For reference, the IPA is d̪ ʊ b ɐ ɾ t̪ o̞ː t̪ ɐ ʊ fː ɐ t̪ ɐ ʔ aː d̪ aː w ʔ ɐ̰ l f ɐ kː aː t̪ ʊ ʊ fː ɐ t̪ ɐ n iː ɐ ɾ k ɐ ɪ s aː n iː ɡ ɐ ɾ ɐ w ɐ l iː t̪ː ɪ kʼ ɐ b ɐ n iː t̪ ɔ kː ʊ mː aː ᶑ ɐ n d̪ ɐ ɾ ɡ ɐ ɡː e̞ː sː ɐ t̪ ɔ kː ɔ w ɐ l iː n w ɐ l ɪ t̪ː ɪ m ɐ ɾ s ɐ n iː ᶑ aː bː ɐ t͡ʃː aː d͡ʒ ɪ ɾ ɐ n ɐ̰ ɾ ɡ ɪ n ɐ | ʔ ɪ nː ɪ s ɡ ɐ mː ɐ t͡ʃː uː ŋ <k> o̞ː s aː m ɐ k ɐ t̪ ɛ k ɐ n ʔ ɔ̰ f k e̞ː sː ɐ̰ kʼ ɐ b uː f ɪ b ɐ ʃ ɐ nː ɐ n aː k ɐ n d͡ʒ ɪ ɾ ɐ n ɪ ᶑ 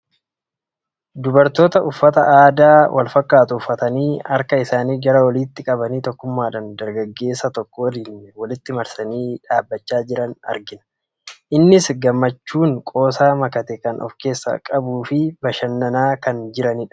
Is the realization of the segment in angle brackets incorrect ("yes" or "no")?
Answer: yes